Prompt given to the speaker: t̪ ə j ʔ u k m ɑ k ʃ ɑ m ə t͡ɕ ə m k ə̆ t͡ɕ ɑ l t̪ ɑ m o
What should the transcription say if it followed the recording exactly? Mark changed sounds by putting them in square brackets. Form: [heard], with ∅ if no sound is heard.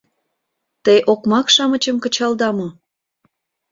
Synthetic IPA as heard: t̪ ə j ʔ [o] k m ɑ k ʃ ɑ m ə t͡ɕ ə m k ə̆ t͡ɕ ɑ l [d̪] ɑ m o